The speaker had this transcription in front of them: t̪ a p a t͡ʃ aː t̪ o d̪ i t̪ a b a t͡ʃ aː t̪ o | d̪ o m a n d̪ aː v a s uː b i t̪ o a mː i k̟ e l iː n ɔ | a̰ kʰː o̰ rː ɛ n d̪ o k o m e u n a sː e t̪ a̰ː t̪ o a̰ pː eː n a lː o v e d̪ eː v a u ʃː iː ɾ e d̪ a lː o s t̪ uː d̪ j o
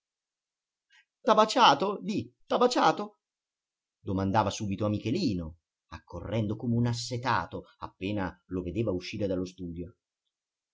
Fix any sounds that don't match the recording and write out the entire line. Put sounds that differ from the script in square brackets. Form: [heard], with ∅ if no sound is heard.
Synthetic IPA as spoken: t̪ a [b] a t͡ʃ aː t̪ o d̪ i t̪ a b a t͡ʃ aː t̪ o | d̪ o m a n d̪ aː v a s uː b i t̪ o a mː i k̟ e l iː n [o] | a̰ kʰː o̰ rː ɛ n d̪ o k o m e u n a sː e t̪ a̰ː t̪ o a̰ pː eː n a [l] o v e d̪ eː v a u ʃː iː ɾ e d̪ a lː o s t̪ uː d̪ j o